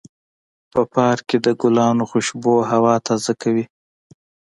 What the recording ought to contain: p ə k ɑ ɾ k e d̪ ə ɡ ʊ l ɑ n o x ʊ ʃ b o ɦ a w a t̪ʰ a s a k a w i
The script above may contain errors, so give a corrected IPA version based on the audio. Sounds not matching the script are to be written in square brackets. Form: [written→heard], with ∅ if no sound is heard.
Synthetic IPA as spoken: p ə [k→p] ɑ ɾ k e d̪ ə ɡ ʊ l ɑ n o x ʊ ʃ b o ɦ a w [a→ɑ] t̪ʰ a [s→z] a k a w i